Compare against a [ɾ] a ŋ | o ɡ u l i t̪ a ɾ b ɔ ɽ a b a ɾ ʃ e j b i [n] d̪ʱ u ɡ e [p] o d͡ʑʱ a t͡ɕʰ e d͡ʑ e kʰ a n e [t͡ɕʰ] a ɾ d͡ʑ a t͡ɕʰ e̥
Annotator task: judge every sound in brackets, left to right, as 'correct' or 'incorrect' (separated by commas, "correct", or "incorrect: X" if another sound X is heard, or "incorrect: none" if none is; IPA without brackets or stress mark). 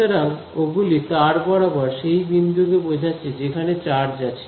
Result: correct, correct, incorrect: b, incorrect: t͡ɕ